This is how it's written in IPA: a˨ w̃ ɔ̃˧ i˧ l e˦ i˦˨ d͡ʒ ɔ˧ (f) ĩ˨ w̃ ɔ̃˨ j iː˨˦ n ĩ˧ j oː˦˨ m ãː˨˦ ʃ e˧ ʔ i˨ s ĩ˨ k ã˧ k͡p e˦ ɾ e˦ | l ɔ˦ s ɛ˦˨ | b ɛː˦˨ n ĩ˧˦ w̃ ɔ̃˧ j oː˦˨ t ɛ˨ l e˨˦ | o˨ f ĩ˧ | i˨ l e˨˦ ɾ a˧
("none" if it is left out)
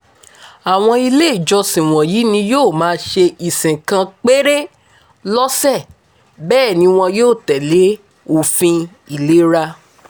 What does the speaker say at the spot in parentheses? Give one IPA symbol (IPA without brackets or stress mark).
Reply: s